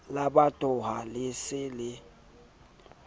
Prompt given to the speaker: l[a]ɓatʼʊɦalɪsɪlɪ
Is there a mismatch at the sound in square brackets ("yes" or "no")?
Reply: no